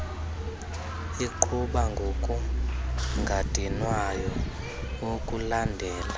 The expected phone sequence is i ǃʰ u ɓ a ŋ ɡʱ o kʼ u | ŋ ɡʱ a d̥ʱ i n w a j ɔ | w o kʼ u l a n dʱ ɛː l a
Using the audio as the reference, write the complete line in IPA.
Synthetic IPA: i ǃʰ u ɓ a ŋ ɡʱ o kʼ u | ŋ ɡʱ a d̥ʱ i n w a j ɔ | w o kʼ u l a n dʱ ɛː l a